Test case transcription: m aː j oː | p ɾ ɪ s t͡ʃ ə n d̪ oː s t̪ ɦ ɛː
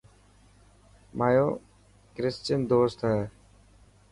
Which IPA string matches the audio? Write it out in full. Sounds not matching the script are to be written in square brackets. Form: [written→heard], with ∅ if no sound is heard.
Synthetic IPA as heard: m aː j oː | [p→k] ɾ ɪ s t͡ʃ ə n d̪ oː s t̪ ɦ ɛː